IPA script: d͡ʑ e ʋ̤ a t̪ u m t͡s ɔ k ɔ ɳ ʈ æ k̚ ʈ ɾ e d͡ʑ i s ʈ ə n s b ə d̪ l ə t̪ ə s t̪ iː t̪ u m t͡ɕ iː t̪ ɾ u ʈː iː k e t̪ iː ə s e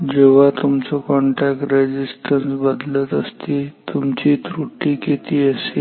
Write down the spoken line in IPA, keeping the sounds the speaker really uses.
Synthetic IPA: d͡ʑ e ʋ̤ a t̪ u m t͡s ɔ k ɔ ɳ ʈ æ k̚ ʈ ɾ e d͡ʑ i s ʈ ə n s b ə d̪ l ə t̪ ə s t̪ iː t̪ u m t͡ɕ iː t̪ ɾ u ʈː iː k e t̪ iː ə s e